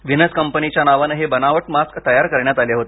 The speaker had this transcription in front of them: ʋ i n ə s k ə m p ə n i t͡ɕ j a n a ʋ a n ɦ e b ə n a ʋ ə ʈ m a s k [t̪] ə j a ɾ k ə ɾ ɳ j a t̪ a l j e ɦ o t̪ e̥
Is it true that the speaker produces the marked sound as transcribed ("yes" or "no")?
yes